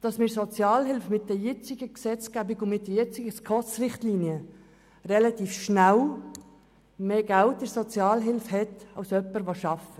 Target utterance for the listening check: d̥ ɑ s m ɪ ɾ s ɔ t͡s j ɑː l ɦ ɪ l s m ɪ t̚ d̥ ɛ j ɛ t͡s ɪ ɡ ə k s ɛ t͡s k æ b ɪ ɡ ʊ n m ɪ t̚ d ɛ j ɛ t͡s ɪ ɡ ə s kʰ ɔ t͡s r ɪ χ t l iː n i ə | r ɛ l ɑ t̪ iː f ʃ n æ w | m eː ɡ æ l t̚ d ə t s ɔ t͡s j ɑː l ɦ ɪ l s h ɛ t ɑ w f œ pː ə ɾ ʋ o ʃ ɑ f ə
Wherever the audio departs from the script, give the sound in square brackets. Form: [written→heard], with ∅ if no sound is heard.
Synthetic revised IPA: d̥ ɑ s m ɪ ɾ s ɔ t͡s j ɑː l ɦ ɪ l [s→f] m ɪ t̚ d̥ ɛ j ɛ t͡s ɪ ɡ ə k s ɛ t͡s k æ b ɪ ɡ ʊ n m ɪ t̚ d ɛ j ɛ t͡s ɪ ɡ ə s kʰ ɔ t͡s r ɪ χ t l iː n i ə | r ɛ l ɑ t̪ iː f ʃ n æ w | m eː ɡ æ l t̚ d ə [t→∅] s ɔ t͡s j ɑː l ɦ ɪ l [s→f] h ɛ t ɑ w [f→s] œ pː ə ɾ ʋ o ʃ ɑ f ə